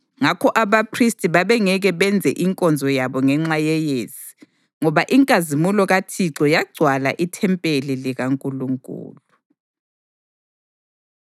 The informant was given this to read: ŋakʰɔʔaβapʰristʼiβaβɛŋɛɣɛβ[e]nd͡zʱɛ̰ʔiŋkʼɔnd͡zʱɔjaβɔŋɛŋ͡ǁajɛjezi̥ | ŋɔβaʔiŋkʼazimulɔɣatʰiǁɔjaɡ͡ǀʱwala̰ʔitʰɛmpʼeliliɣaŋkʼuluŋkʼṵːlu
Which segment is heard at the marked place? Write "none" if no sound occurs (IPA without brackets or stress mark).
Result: ɛ